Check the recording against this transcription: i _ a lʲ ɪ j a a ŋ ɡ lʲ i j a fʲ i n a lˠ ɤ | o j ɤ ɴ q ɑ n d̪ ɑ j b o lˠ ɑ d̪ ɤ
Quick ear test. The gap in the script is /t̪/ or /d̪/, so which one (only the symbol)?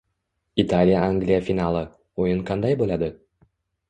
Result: t̪